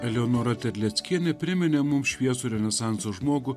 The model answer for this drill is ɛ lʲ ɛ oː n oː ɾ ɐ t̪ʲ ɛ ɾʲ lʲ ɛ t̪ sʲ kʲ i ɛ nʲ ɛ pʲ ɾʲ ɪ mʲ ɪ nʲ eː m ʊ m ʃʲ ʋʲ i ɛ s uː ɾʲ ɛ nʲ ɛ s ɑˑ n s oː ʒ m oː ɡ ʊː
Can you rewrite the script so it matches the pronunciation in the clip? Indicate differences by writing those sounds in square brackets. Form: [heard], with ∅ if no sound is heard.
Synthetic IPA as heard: ɛ lʲ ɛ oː n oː ɾ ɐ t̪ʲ ɛ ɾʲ lʲ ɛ t̪ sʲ kʲ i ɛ nʲ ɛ pʲ ɾʲ ɪ mʲ ɪ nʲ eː m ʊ m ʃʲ ʋʲ i ɛ s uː ɾʲ ɛ nʲ ɛ s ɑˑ n s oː ʒ m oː ɡ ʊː